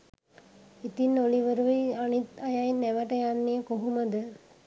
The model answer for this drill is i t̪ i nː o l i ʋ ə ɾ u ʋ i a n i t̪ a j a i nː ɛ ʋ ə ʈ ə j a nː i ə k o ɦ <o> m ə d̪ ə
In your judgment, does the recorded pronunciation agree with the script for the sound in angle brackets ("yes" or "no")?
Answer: no